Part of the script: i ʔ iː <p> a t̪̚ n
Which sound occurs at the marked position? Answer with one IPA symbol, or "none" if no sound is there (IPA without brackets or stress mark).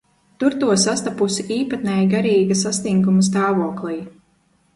p